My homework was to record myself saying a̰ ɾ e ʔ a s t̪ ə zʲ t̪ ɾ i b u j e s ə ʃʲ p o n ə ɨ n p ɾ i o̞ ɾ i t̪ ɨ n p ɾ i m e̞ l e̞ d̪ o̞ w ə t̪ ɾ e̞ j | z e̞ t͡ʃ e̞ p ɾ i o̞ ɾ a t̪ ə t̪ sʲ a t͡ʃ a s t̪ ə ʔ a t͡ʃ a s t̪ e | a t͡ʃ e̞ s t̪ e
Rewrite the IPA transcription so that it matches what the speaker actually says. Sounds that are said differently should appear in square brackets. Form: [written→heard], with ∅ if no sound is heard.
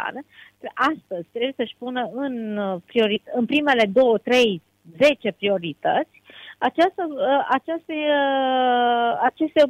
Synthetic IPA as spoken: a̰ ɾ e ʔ a s t̪ ə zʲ t̪ ɾ [i→e] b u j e s ə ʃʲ p [o→u] n ə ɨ n p ɾ i o̞ ɾ i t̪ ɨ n p ɾ i m e̞ l e̞ d̪ o̞ w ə t̪ ɾ e̞ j | z e̞ t͡ʃ e̞ p ɾ i o̞ ɾ [a→i] t̪ ə t̪ sʲ a t͡ʃ a s t̪ ə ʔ a t͡ʃ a s t̪ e | a t͡ʃ e̞ s t̪ e